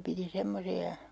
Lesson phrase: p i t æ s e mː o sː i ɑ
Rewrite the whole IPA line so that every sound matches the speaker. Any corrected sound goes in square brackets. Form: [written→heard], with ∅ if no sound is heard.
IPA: p i t [æ→i] s e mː o [sː→s] i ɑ